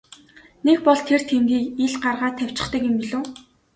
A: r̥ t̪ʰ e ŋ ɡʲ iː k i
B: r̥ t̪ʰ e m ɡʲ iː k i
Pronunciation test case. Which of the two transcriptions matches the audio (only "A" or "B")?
B